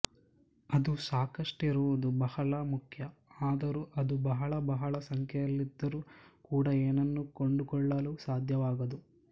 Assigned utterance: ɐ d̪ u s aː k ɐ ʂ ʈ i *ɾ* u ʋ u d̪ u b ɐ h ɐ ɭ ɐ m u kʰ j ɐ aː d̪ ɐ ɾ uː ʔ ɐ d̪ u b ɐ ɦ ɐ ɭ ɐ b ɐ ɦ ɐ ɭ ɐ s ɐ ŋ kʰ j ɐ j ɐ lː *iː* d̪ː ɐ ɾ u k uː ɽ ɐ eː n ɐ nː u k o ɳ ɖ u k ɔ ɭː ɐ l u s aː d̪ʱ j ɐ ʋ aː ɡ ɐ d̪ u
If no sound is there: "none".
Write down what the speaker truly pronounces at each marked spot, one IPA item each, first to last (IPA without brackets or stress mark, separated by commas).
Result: ɾ, i